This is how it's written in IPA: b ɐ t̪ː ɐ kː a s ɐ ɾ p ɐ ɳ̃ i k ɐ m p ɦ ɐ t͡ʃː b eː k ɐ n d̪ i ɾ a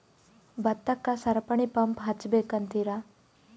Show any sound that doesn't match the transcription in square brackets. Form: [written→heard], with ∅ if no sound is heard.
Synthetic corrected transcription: b ɐ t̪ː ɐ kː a s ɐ ɾ p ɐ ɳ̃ i [k→p] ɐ m p ɦ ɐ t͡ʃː b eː k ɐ n [d̪→t̪] i ɾ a